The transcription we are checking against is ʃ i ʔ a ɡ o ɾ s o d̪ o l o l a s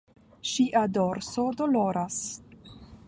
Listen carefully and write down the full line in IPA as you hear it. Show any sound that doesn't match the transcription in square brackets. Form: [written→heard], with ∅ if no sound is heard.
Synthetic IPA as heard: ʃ i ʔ a [ɡ→d] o ɾ s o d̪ o l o [l→ɾ] a s